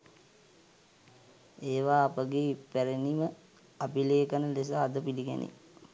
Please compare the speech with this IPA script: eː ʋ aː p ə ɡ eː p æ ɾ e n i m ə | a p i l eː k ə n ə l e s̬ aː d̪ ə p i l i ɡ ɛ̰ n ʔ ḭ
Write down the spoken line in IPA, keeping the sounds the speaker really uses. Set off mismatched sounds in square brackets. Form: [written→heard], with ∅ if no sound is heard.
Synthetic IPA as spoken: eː ʋ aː p ə ɡ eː p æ ɾ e n i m ə | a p i l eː k ə n ə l e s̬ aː d̪ ə p i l i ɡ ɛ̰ n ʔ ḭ